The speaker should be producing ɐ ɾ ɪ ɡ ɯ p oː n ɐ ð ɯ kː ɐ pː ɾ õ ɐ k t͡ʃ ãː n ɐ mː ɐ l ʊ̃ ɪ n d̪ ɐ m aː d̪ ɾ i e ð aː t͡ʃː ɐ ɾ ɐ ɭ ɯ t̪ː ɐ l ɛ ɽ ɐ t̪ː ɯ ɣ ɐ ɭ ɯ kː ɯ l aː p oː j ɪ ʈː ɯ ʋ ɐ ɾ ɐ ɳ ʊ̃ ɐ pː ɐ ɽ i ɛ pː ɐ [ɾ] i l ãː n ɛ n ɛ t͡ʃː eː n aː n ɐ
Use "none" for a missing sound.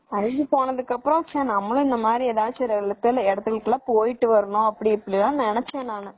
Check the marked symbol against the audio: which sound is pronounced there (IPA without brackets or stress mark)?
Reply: ɽ